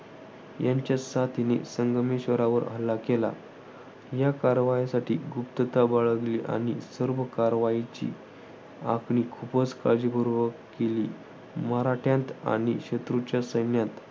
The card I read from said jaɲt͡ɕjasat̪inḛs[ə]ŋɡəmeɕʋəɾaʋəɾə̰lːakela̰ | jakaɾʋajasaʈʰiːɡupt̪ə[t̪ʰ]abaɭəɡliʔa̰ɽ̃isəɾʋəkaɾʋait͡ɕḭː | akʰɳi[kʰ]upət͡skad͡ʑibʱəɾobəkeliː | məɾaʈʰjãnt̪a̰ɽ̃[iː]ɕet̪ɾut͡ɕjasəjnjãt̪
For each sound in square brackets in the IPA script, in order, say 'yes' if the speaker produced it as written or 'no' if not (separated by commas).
yes, no, yes, no